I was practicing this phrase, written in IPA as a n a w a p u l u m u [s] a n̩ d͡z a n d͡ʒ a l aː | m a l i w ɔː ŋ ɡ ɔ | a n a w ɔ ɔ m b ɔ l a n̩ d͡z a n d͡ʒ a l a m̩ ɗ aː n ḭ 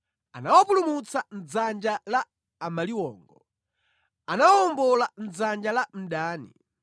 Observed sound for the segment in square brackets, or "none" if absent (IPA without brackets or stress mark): t͡s